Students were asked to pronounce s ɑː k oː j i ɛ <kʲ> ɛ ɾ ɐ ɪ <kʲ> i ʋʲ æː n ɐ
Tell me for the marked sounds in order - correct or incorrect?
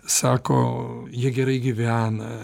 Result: incorrect, incorrect

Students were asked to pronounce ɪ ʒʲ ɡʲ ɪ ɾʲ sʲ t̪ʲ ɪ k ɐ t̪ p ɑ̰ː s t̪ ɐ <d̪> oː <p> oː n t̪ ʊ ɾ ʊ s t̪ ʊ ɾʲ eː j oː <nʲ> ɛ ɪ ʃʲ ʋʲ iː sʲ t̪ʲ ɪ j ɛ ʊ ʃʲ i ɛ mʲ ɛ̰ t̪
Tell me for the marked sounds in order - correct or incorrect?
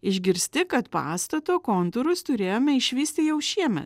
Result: incorrect, incorrect, incorrect

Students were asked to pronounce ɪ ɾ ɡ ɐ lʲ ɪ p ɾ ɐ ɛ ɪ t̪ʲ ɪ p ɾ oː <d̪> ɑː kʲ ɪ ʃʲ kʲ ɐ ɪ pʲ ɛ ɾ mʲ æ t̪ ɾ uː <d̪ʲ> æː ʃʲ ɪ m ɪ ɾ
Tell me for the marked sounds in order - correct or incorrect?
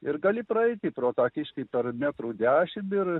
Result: incorrect, correct

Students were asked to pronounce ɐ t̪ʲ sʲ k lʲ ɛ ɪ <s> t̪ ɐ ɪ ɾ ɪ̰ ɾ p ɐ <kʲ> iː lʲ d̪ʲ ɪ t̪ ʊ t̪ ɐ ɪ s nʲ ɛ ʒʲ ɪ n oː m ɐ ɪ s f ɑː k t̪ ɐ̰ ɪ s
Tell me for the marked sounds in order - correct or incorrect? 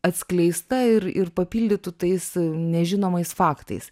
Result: correct, incorrect

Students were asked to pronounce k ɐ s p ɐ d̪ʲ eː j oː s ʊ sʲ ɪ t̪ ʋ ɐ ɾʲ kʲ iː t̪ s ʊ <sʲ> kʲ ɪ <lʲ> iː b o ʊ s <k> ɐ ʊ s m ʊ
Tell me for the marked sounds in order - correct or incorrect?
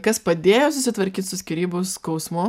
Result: correct, incorrect, correct

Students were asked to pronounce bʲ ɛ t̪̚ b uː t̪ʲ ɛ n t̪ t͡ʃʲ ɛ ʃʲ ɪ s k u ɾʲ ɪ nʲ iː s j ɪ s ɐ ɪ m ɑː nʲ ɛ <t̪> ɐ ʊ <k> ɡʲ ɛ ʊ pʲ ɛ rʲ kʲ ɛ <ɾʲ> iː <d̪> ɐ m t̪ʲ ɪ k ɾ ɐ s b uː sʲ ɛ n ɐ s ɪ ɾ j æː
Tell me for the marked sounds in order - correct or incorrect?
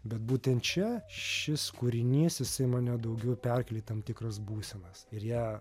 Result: incorrect, incorrect, incorrect, incorrect

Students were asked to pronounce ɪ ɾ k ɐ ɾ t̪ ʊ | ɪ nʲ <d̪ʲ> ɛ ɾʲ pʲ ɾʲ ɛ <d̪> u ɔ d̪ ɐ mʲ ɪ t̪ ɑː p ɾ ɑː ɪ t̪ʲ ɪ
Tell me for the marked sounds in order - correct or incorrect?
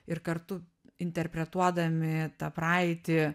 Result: incorrect, incorrect

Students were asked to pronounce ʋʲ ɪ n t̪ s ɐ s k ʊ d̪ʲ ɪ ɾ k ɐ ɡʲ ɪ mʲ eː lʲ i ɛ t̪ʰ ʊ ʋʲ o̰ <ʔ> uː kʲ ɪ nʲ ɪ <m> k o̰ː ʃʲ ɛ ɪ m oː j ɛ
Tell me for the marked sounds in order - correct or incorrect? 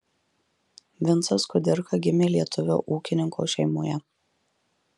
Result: correct, incorrect

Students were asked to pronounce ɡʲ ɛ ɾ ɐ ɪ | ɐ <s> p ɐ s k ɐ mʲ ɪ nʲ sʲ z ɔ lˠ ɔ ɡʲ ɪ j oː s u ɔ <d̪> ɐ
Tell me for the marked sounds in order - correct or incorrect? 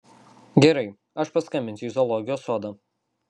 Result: incorrect, correct

